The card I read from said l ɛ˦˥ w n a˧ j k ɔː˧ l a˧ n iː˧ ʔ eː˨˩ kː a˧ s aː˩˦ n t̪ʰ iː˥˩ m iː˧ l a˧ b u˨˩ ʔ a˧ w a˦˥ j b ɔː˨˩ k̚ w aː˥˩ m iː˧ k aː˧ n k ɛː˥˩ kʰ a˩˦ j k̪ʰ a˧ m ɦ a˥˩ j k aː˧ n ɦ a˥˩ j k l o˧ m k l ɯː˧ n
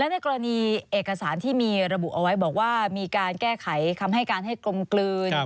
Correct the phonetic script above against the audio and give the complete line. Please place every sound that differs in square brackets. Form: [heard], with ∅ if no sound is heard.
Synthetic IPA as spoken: l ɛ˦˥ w n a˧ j k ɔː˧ [ɾ] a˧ n iː˧ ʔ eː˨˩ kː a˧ s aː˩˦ n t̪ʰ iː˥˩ m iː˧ [ɾ] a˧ b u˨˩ ʔ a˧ w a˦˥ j b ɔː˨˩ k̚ w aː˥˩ m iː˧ k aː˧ n k ɛː˥˩ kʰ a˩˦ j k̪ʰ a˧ m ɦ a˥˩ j k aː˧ n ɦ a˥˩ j k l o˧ m k l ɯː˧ n